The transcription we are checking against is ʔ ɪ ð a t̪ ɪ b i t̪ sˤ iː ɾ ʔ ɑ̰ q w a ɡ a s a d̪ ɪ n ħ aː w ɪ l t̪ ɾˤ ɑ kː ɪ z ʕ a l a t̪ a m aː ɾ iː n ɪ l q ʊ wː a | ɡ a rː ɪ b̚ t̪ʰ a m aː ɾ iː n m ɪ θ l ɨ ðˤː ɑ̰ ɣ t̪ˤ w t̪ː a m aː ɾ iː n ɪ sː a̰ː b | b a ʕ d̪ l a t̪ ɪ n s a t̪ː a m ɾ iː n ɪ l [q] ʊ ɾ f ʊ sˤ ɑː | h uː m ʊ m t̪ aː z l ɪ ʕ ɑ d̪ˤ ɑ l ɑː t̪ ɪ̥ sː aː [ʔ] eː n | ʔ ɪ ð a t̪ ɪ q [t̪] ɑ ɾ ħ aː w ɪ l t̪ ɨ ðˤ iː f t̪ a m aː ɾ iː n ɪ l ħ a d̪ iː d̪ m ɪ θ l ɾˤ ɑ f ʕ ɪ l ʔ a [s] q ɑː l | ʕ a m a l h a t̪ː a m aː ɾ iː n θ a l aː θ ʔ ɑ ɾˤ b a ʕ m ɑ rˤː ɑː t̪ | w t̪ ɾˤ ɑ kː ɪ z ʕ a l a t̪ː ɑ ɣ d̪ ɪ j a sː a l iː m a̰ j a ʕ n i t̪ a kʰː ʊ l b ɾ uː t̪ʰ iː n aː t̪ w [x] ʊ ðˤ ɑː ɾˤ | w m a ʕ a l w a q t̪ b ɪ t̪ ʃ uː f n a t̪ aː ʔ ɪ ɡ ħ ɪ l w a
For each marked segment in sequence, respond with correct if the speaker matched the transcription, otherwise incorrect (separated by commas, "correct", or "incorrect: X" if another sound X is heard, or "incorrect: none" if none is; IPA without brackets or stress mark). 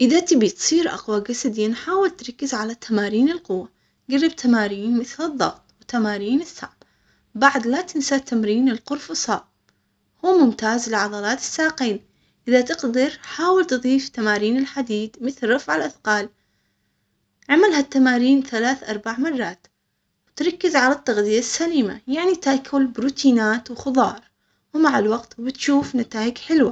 correct, incorrect: q, incorrect: d̪, incorrect: θ, correct